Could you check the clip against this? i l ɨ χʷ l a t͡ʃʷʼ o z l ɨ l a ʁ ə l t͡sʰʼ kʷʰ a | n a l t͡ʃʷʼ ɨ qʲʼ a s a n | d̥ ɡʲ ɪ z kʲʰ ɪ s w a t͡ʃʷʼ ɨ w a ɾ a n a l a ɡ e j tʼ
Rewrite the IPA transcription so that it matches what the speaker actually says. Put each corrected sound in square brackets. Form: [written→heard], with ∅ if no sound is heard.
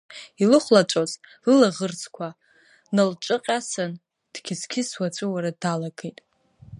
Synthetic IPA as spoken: i l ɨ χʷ l a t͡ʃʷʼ o z l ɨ l a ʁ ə [l→r] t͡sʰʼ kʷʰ a | n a l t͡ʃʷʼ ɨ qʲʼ a s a n | d̥ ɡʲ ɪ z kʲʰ ɪ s w a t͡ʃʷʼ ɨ w a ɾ a [n→d] a l a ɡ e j tʼ